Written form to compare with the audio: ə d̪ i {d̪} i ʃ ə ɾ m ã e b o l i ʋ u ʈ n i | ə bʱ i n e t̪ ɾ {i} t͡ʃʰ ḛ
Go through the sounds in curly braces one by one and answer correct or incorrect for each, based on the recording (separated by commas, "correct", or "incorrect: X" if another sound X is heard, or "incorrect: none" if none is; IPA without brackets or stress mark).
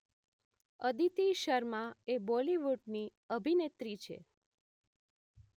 incorrect: t̪, correct